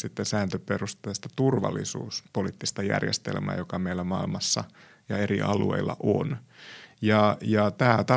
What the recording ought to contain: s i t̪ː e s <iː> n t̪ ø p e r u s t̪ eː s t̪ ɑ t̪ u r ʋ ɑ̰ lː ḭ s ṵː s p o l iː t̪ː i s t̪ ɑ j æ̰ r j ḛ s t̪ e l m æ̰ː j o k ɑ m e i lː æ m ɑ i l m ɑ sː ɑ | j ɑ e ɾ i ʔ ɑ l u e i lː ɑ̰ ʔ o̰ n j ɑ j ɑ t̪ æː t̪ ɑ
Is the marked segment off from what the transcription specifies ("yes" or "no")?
yes